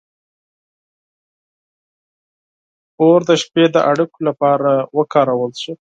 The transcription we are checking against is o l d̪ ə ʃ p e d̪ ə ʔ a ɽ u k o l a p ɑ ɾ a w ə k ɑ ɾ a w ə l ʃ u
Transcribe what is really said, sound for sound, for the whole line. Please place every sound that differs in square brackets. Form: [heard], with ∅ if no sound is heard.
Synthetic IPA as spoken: o [ɾ] d̪ ə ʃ p e d̪ ə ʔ a ɽ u k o l a p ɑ ɾ a w ə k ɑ ɾ a w ə l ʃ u

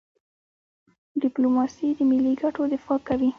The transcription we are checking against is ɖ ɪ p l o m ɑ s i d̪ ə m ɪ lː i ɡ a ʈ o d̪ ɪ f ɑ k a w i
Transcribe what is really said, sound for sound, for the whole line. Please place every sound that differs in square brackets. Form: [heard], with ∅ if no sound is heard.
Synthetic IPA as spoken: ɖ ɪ p l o m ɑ s i d̪ ə m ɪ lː i ɡ a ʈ o d̪ ɪ f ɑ k a w i

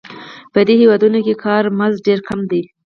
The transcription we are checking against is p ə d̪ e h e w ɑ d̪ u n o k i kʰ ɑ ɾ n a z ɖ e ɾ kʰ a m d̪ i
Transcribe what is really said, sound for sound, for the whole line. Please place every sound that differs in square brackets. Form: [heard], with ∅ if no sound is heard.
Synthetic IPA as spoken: p ə d̪ e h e w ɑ d̪ u n o k [e] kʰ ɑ ɾ [m] a z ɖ e ɾ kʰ a m d̪ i

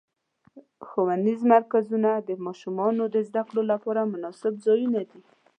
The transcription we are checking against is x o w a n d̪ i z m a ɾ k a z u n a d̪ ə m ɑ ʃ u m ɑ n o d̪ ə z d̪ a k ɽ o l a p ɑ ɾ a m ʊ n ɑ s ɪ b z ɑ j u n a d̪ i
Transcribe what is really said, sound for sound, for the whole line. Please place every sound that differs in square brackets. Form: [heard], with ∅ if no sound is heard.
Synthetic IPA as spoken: x o w a n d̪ i z m a ɾ k a z u n a d̪ ə m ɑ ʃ u m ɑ n o d̪ ə z d̪ a k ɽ o l a p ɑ ɾ a m ʊ n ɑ s ɪ b z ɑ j u n a d̪ i

